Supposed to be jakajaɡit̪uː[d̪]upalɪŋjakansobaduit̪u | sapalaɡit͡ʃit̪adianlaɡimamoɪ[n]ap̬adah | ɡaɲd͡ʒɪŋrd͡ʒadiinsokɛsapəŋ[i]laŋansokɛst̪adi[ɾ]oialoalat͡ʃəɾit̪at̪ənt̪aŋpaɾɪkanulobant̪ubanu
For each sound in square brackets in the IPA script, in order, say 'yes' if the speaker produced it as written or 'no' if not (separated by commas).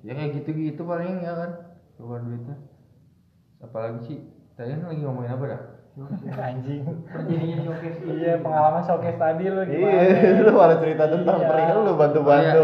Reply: no, yes, no, no